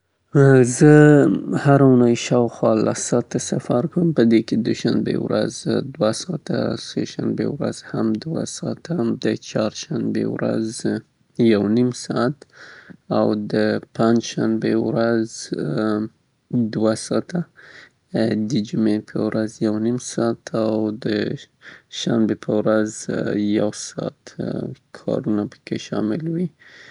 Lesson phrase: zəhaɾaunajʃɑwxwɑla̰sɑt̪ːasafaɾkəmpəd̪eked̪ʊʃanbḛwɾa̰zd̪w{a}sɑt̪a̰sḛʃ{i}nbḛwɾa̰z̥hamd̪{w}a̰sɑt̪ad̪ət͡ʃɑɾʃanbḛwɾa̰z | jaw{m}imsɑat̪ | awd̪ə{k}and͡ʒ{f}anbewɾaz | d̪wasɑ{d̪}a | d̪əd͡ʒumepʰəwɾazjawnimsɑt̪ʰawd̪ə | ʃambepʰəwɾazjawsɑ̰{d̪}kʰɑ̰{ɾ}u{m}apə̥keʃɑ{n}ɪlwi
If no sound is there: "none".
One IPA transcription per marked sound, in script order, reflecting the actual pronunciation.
a, a, w, n, p, ʃ, t̪, t̪, ɾ, n, m

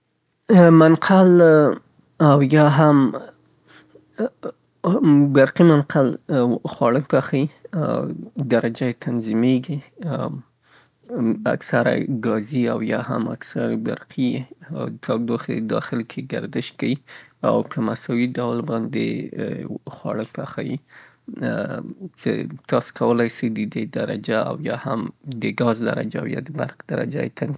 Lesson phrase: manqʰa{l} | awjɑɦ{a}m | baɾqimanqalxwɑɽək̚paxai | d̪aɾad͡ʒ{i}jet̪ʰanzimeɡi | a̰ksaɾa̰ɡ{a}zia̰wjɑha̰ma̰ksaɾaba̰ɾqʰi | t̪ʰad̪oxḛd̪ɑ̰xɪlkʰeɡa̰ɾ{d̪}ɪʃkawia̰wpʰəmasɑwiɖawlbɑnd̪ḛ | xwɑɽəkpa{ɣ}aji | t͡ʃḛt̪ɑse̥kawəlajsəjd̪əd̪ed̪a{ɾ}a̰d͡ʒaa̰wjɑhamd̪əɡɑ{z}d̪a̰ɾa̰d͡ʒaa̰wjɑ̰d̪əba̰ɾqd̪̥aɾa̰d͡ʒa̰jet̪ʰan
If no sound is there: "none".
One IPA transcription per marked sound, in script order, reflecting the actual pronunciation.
l, a, a, ɑ, d̪, x, ɾ, z

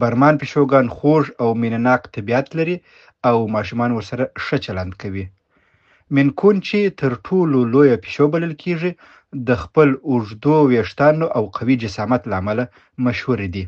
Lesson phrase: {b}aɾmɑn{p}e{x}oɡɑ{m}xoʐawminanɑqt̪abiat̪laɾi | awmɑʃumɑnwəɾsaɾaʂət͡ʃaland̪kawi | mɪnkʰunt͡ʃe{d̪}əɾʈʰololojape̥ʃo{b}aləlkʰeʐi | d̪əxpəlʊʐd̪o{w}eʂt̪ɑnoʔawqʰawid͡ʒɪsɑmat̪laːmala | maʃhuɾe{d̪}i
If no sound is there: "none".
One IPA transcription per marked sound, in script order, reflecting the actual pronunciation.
b, p, ʃ, n, t̪, b, w, d̪

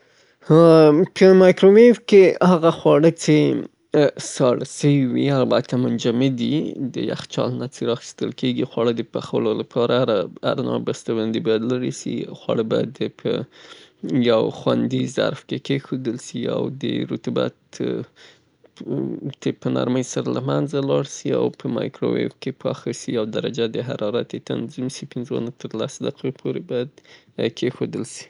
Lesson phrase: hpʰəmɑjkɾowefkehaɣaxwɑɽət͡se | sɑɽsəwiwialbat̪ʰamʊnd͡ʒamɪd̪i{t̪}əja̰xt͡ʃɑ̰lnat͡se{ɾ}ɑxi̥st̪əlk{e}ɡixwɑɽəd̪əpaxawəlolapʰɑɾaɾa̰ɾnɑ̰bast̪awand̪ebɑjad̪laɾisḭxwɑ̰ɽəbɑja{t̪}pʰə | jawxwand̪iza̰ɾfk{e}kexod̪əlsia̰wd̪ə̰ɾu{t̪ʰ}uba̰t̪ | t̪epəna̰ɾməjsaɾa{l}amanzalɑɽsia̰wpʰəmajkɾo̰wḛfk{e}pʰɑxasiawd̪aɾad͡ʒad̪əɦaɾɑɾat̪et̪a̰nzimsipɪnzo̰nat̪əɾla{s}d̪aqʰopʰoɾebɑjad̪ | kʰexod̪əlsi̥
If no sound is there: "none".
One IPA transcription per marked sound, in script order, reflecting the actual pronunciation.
d̪, ɾ, e, d̪, e, t̪, l, e, s

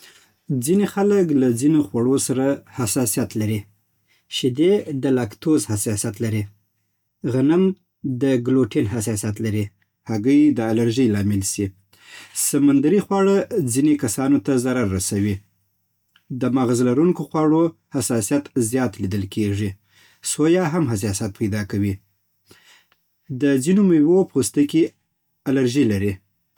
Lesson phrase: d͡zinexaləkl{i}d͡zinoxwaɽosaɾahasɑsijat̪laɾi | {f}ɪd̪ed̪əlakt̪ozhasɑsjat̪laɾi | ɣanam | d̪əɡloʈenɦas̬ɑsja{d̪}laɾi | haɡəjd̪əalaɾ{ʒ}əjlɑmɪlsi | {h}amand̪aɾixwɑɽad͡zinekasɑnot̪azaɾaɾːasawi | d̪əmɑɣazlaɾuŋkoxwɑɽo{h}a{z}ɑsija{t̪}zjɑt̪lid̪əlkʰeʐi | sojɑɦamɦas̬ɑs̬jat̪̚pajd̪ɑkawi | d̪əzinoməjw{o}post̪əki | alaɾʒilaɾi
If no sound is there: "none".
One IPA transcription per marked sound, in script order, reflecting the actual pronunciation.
a, ʃ, t̪, ʒ, s, h, s, t̪, o

